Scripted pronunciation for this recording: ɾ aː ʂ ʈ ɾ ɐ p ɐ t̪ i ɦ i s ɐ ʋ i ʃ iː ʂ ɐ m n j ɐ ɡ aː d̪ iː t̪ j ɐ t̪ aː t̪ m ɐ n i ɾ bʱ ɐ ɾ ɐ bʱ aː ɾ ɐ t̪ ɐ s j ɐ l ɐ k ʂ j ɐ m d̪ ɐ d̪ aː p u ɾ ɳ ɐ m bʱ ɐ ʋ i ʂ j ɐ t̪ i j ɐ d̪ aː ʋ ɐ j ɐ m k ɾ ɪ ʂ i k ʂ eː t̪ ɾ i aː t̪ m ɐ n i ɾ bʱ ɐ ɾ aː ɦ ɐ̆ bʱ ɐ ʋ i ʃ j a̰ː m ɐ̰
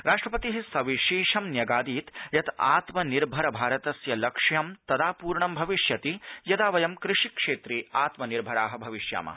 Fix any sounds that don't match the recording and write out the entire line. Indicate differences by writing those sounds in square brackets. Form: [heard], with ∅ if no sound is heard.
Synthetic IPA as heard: ɾ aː ʂ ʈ ɾ ɐ p ɐ t̪ i ɦ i s ɐ ʋ i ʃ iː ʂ ɐ m n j ɐ ɡ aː d̪ iː t̪ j ɐ t̪ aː t̪ m ɐ n i ɾ bʱ ɐ ɾ ɐ bʱ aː ɾ ɐ t̪ ɐ s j ɐ l ɐ k ʂ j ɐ m [t̪] ɐ d̪ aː p [uː] ɾ ɳ ɐ m bʱ ɐ ʋ i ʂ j ɐ t̪ i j ɐ d̪ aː ʋ ɐ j ɐ m k ɾ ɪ ʂ i k ʂ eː t̪ ɾ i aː t̪ m ɐ n i ɾ bʱ ɐ ɾ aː ɦ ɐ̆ bʱ ɐ ʋ i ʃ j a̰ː m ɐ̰